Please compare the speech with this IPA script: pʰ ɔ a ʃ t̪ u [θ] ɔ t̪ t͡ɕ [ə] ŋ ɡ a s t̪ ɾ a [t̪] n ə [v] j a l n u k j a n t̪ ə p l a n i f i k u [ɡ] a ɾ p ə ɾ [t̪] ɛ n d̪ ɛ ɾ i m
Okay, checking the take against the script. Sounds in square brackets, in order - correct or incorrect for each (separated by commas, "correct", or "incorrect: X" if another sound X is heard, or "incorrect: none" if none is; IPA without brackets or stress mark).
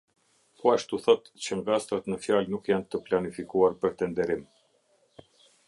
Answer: correct, correct, correct, incorrect: f, incorrect: none, correct